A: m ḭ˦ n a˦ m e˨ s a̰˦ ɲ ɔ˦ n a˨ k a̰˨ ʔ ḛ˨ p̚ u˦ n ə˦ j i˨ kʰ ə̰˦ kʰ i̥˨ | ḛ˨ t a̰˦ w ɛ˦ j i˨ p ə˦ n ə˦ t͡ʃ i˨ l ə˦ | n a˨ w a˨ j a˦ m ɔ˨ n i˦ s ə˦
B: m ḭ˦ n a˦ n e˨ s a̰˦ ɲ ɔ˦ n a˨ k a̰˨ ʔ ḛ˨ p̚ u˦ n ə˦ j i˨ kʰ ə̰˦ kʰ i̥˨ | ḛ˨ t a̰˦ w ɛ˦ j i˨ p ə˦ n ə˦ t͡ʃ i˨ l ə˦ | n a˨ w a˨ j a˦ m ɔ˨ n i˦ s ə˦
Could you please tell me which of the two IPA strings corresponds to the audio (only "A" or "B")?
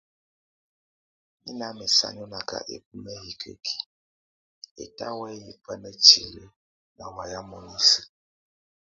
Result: A